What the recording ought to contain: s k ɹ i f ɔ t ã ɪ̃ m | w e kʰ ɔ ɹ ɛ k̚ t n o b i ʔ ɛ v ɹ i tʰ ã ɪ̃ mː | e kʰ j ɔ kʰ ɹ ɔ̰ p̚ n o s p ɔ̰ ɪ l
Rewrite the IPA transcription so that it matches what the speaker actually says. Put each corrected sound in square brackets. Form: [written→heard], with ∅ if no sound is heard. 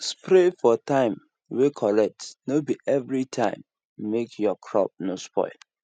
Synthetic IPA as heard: s [k→p] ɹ [i→e] f ɔ t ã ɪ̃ m | w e kʰ ɔ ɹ ɛ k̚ t n o b i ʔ ɛ v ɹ i tʰ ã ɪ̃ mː | e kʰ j ɔ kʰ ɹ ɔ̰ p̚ n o s p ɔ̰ ɪ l